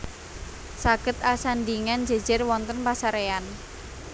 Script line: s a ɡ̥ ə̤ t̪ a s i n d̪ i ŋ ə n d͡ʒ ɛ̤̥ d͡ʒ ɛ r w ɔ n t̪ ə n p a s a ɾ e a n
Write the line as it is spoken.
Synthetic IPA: s a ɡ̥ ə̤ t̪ a s a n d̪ i ŋ a n d͡ʒ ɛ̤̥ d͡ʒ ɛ r w ɔ n t̪ ə n p a s a ɾ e a n

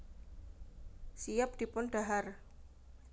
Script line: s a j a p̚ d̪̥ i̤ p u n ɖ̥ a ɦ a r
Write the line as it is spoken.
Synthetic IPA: s i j a p̚ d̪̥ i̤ p ʊ n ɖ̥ a ɦ a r

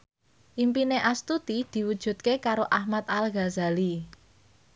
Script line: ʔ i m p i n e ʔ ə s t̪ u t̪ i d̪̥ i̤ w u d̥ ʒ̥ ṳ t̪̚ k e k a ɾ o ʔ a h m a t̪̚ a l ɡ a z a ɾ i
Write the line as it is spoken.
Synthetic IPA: ʔ i m p i n e ʔ a s t̪ u t̪ i d̪̥ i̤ w u d̥ ʒ̥ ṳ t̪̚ k e k a ɾ o ʔ a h m a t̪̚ a l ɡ a z a l i

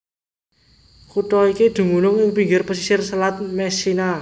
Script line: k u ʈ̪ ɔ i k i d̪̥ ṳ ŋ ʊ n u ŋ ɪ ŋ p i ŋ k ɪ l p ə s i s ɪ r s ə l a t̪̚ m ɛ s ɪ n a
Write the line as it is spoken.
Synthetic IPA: k u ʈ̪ ɔ i k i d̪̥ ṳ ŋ u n ʊ ŋ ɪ ŋ p i ŋ ɡ ɪ r p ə s i s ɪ r s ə l a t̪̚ m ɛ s i n a

